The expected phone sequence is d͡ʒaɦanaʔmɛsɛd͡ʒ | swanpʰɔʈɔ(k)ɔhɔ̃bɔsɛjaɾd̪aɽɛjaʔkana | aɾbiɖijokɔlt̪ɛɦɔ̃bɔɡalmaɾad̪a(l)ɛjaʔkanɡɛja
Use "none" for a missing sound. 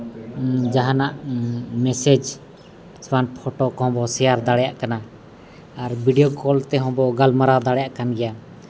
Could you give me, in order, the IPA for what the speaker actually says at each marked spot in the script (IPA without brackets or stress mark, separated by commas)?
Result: k, ɽ